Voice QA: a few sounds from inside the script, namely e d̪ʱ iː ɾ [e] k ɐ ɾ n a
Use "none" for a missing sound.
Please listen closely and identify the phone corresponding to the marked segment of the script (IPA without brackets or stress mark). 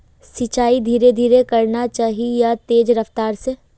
e